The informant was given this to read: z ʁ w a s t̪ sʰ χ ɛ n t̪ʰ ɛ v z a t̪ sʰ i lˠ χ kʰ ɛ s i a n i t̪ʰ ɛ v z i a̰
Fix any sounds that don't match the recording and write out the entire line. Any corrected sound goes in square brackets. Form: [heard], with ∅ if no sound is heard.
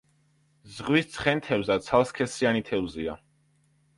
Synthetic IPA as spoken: z ʁ w [i] s t̪ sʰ χ ɛ n t̪ʰ ɛ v z a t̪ sʰ [a] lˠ [s] kʰ ɛ s i a n i t̪ʰ ɛ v z i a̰